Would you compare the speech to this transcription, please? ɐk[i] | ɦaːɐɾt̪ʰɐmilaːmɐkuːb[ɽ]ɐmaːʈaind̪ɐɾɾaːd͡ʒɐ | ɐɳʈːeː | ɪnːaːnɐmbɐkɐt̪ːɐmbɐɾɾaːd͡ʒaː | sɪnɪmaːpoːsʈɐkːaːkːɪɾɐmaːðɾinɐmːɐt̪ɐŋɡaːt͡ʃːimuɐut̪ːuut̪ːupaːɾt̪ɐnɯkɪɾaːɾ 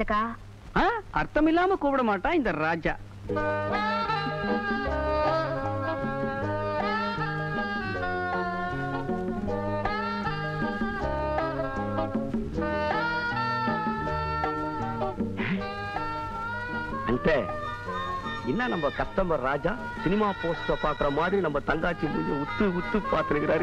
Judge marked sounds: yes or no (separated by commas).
no, yes